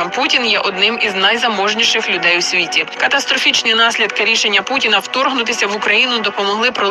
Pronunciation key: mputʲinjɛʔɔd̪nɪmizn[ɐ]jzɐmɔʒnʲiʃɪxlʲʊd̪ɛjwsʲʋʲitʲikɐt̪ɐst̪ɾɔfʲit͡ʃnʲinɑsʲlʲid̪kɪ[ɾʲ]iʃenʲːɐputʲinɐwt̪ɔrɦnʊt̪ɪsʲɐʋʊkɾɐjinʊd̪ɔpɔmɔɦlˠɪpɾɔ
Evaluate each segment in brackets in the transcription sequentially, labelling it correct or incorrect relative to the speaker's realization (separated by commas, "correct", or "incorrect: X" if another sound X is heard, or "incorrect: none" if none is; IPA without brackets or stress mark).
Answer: correct, correct